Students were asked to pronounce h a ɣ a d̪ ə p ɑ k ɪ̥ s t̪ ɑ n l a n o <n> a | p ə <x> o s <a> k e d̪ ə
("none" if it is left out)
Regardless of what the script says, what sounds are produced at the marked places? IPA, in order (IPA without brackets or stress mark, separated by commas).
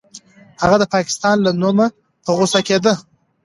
m, ɣ, a